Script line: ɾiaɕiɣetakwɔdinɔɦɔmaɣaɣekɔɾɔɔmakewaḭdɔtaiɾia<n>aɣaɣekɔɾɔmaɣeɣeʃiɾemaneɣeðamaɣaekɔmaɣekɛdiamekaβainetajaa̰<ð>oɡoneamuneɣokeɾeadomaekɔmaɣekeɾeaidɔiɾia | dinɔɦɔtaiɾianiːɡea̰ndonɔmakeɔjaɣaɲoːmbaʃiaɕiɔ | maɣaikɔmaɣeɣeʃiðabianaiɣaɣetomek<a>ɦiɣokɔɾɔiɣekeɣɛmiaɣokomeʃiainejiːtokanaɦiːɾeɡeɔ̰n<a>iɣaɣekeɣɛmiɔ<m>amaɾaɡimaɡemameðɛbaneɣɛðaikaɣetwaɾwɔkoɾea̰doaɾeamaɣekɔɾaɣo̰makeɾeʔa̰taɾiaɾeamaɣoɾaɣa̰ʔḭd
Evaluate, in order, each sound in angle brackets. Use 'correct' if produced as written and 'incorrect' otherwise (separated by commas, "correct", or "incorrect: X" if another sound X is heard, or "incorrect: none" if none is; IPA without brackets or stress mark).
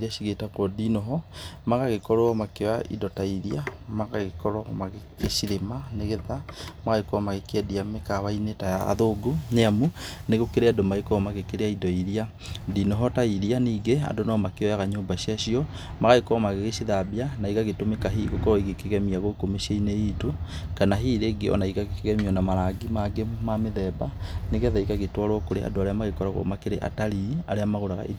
incorrect: m, correct, correct, correct, incorrect: n